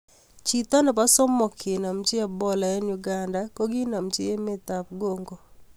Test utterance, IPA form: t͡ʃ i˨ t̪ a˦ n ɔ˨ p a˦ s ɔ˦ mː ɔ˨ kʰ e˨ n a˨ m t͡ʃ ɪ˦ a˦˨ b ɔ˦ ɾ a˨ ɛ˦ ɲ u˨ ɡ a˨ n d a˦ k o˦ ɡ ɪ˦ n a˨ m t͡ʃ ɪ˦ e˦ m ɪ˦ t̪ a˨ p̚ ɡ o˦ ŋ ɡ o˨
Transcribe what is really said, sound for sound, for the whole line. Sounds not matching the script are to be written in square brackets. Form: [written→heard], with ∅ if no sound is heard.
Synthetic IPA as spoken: t͡ʃ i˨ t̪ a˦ n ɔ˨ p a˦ s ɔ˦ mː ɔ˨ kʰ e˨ n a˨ m t͡ʃ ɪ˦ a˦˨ b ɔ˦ [ɾ→l] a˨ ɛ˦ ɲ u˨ ɡ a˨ n d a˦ k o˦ ɡ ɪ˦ n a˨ m t͡ʃ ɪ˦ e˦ m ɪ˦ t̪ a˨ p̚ ɡ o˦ ŋ ɡ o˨